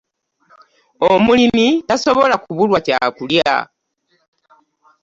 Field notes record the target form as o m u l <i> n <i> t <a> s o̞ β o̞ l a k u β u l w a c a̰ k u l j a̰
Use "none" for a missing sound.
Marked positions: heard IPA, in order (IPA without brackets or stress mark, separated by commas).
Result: i, i, a